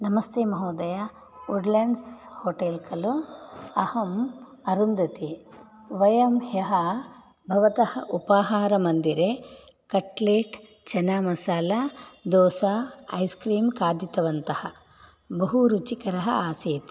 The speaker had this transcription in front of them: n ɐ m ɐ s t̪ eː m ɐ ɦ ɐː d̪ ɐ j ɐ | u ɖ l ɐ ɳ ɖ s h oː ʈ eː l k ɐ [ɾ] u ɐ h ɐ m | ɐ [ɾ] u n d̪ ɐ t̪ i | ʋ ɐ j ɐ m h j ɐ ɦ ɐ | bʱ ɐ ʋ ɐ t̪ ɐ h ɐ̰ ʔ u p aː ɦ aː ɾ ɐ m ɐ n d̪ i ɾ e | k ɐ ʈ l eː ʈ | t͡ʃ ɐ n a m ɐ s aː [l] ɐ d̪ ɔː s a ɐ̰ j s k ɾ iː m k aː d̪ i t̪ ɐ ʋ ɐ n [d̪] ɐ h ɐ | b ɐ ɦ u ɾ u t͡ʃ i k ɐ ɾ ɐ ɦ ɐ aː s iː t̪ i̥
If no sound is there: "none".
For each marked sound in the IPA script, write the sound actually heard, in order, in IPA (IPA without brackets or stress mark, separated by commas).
l, ɾ, l, t̪